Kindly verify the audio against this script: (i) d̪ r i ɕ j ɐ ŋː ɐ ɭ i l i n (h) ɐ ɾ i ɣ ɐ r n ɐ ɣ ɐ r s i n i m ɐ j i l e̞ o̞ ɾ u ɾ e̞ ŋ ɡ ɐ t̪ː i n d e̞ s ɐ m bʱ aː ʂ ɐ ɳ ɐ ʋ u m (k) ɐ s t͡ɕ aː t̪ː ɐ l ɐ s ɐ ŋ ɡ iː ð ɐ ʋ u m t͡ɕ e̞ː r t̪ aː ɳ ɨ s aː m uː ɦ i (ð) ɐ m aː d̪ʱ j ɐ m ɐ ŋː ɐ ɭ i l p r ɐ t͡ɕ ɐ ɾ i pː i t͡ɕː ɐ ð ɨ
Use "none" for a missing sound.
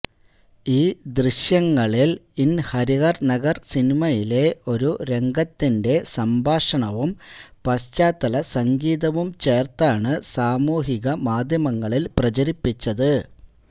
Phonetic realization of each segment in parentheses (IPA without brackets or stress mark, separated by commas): iː, h, p, ɣ